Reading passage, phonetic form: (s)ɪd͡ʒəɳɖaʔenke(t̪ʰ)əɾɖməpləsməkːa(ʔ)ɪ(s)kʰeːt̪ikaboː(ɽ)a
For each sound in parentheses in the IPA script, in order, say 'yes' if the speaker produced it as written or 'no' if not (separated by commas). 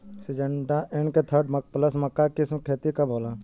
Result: yes, yes, no, yes, no